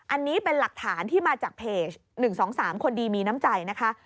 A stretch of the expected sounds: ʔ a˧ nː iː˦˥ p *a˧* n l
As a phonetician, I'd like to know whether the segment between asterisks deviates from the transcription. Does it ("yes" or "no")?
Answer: yes